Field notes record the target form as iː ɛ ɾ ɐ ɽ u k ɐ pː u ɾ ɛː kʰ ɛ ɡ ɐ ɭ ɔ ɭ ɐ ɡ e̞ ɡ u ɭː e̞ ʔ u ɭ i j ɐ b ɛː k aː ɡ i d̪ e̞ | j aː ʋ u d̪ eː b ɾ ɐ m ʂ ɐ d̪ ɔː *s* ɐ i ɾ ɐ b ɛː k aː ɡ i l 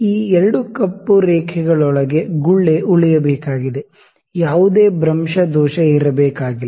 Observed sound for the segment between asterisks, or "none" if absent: ʃ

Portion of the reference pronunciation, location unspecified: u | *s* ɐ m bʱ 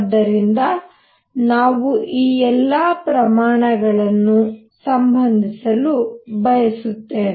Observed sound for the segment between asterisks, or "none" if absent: s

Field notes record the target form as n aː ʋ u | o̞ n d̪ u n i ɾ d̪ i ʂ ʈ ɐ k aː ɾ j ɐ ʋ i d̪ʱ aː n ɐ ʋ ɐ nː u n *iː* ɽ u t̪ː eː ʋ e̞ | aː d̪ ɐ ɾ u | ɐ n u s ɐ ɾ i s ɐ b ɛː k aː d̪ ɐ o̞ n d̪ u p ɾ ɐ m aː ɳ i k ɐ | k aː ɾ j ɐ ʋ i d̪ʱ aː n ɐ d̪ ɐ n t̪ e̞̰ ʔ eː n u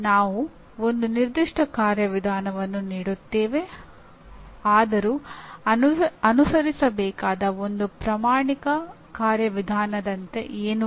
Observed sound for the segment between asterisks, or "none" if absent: iː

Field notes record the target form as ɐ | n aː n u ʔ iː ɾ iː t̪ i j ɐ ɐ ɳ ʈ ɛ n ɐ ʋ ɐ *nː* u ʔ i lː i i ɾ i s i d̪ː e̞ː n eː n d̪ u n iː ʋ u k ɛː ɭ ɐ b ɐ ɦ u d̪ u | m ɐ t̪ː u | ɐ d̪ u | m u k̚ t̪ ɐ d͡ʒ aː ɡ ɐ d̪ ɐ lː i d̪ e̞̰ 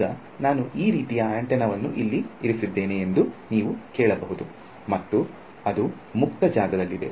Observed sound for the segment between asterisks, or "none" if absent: nː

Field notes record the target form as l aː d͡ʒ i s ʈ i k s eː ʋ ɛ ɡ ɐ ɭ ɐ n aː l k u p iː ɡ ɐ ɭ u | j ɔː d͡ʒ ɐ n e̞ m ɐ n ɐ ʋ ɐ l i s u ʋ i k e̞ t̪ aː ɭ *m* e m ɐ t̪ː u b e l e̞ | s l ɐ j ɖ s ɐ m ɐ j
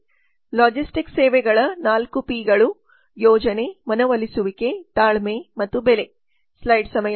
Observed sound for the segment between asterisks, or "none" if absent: m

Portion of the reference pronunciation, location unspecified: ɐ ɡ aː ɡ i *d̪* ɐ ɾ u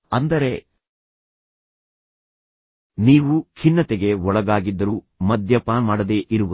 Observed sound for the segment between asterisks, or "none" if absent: d̪ː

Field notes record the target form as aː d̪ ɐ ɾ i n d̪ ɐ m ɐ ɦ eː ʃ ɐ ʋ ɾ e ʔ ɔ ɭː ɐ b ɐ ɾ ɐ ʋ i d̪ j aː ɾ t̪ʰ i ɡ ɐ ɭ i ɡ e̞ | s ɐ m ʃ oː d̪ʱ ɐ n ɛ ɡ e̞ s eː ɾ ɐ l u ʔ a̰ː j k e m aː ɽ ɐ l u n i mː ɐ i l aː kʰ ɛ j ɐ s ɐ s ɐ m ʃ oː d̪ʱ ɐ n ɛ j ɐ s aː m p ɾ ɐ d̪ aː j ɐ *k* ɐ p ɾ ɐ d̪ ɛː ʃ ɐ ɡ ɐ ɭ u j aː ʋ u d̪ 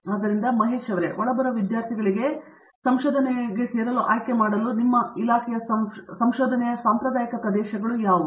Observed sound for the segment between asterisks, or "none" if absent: k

